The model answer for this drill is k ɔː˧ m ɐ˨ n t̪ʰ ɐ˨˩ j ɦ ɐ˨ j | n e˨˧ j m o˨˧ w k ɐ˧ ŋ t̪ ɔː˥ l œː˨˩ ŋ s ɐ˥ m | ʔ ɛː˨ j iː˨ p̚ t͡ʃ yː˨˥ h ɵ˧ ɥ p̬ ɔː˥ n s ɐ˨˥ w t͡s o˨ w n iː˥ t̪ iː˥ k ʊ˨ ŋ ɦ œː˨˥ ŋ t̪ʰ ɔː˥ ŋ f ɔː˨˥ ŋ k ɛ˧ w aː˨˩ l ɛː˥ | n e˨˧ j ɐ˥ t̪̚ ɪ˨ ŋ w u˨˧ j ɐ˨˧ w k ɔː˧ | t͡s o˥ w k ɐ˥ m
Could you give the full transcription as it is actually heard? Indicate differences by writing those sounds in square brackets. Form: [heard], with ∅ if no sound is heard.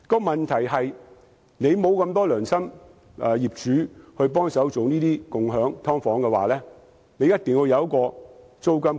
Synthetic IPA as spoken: k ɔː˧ m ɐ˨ n t̪ʰ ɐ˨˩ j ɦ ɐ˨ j | n e˨˧ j m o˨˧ w k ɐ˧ [m] t̪ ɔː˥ l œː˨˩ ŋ s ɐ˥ m | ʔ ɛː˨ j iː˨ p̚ t͡ʃ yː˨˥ h ɵ˧ ɥ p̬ ɔː˥ [ŋ] s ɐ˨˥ w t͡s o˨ w n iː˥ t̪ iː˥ k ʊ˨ ŋ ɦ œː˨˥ ŋ t̪ʰ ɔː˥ ŋ f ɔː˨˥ ŋ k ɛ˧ w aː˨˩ l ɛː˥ | n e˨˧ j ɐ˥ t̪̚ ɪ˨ ŋ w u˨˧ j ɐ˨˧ w k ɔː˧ | t͡s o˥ w k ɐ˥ m

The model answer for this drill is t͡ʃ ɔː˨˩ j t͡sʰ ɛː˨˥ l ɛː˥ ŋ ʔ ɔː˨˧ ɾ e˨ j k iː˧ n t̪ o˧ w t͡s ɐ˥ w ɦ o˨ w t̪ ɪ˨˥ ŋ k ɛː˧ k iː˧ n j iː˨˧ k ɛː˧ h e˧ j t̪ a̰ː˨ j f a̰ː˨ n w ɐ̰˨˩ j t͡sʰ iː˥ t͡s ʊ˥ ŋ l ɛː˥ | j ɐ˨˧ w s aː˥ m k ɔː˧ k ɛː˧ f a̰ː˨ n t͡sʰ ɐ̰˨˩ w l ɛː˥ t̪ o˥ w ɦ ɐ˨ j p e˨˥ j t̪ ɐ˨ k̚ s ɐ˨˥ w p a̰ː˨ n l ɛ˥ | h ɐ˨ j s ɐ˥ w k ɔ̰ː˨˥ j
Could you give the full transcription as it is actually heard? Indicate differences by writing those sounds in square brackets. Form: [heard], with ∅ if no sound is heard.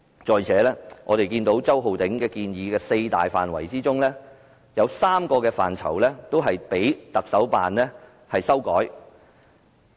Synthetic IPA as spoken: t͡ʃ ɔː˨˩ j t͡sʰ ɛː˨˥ l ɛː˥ ŋ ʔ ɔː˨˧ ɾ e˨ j k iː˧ n t̪ [o˨˥] w t͡s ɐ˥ w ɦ o˨ w t̪ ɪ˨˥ ŋ k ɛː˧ k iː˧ n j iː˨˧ k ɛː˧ [s] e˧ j t̪ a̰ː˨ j f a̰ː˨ n w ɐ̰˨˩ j [t͡s] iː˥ t͡s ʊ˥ ŋ l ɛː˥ | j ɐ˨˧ w s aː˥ m k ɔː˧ k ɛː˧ f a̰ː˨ n t͡sʰ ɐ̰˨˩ w l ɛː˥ t̪ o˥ w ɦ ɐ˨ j p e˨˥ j t̪ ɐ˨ k̚ s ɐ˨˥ w p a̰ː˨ n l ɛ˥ | h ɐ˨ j s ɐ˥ w k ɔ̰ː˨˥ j

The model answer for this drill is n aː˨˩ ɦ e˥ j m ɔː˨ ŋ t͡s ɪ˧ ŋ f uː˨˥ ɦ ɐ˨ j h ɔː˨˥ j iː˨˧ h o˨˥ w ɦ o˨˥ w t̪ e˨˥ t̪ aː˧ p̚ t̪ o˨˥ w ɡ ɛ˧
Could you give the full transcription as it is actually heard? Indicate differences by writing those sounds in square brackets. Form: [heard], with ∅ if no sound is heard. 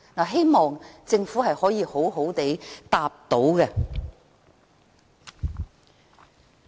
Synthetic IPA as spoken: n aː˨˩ ɦ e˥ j m ɔː˨ ŋ t͡s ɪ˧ ŋ f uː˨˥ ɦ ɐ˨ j h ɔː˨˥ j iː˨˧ h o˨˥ w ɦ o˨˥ w t̪ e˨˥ t̪ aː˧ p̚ t̪ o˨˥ w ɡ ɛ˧

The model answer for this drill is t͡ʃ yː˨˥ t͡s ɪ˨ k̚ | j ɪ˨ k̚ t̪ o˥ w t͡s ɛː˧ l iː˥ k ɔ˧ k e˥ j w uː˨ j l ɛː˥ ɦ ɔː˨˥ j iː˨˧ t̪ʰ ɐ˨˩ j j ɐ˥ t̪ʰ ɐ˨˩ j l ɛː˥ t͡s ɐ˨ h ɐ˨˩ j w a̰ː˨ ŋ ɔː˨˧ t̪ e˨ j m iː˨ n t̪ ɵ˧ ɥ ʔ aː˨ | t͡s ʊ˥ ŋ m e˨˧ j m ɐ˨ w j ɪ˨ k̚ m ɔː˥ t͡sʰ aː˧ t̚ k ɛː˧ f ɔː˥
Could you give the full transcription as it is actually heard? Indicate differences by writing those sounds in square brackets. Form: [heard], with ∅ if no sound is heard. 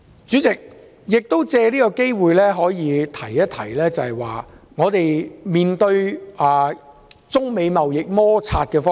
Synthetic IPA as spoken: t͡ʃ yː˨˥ t͡s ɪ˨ k̚ | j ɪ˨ k̚ t̪ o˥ w t͡s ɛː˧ l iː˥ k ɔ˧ k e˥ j w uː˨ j l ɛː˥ ɦ ɔː˨˥ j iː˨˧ t̪ʰ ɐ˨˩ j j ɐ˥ t̪ʰ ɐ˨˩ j l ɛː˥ t͡s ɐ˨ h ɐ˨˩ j w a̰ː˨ ŋ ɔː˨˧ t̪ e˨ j m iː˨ n t̪ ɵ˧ ɥ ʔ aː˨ | t͡s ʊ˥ ŋ m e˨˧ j m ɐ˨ w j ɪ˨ k̚ m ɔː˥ t͡sʰ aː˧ t̚ k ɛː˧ f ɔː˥

